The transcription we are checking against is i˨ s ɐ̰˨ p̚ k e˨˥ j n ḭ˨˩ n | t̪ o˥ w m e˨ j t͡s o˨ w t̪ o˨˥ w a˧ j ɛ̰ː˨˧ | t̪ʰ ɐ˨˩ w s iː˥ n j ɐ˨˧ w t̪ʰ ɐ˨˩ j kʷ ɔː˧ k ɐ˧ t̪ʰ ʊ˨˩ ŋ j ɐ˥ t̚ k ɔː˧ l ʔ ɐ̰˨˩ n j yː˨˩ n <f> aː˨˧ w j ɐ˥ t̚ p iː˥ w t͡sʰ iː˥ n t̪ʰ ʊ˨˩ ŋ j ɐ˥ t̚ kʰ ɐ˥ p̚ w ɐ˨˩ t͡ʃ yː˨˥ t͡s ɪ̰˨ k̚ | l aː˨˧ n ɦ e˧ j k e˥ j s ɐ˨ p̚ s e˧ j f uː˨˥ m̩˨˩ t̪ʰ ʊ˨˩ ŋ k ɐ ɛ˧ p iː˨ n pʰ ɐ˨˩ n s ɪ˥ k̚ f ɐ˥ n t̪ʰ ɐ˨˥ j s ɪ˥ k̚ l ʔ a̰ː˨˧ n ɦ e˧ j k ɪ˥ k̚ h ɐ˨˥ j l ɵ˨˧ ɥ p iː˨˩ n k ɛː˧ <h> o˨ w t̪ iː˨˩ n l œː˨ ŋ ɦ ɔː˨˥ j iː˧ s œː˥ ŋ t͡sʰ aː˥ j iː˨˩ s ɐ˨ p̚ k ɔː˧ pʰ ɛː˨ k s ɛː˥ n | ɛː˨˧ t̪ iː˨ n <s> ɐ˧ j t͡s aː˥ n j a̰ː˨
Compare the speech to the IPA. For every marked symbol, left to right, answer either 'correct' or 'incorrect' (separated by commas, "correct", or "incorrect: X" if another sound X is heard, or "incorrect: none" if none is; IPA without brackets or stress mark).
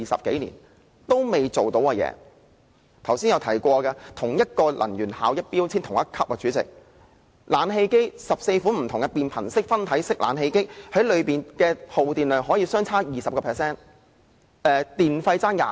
incorrect: h, correct, incorrect: f